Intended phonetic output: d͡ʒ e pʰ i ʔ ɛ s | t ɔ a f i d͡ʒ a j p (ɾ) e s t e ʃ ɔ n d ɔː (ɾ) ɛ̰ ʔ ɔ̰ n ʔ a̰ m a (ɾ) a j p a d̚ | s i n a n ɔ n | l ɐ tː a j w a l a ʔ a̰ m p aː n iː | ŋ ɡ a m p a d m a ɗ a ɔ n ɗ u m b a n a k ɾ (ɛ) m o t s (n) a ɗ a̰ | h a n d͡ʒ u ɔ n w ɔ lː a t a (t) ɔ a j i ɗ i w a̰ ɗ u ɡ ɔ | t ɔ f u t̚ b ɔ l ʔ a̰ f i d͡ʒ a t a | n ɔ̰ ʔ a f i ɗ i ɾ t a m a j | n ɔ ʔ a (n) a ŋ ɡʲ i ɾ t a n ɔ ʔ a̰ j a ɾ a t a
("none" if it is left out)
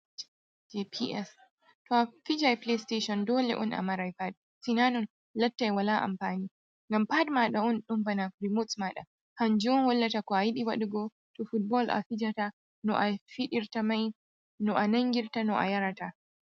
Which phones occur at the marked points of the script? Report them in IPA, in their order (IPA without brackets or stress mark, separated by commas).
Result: l, l, ɾ, i, m, k, n